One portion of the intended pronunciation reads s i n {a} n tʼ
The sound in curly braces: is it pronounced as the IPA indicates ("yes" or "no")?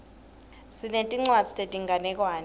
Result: no